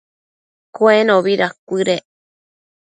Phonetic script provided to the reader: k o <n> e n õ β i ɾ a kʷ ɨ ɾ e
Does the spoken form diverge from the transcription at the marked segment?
yes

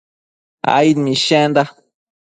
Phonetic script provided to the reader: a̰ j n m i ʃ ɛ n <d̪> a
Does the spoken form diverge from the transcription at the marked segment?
no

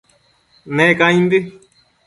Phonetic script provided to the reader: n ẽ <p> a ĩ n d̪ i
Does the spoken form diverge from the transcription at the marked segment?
yes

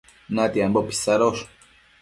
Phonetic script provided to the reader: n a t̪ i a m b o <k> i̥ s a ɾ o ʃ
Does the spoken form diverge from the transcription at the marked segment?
yes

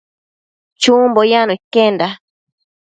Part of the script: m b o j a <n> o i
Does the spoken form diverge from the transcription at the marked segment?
no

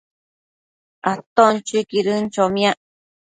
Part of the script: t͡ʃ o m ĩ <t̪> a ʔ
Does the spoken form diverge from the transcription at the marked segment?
yes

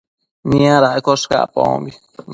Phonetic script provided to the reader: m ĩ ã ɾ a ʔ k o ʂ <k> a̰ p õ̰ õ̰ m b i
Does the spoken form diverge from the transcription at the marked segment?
no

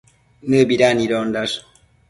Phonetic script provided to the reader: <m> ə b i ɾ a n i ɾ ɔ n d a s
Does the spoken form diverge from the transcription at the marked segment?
yes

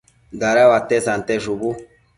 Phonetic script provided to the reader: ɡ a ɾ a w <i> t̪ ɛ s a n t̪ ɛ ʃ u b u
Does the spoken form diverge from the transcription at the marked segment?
yes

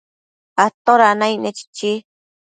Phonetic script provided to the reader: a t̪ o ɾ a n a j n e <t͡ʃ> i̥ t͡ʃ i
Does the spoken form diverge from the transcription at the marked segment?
no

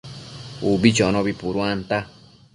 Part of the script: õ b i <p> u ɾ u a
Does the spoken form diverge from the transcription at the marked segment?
no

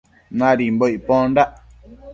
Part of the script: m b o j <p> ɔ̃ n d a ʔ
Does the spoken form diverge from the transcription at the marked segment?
no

